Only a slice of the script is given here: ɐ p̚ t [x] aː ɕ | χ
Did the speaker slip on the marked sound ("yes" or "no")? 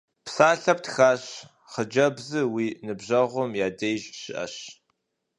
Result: no